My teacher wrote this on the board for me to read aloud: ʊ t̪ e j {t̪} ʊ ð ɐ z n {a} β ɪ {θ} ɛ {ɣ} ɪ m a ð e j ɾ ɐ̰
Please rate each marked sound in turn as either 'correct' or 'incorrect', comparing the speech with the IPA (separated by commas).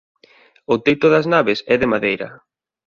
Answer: correct, correct, incorrect, incorrect